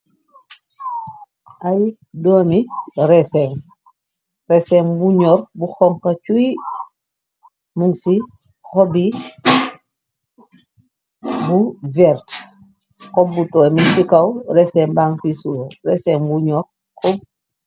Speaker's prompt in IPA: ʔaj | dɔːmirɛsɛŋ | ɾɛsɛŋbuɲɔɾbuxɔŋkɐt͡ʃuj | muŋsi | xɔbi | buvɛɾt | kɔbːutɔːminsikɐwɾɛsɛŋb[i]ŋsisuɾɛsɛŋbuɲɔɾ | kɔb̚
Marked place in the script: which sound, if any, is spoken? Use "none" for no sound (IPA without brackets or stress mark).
a